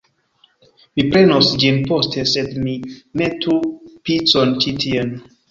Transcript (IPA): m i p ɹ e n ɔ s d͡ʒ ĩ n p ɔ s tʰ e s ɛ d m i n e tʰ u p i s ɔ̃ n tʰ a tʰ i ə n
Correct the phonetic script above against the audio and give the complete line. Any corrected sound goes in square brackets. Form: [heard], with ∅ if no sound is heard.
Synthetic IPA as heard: m i p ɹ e n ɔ s d͡ʒ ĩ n p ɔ s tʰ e s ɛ d m i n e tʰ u p i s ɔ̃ n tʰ [i] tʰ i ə n